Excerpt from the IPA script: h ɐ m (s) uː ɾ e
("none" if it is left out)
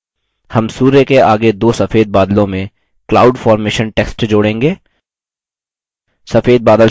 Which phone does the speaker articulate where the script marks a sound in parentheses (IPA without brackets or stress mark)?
s